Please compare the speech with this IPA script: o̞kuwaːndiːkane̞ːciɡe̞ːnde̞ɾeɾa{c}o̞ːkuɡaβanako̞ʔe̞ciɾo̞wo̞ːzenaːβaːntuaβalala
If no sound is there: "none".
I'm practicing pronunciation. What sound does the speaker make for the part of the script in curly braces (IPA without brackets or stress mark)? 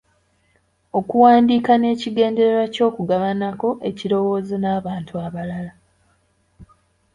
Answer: c